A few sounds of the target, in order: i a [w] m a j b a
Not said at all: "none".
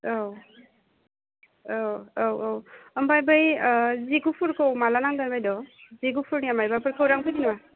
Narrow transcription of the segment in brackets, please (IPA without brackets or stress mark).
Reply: none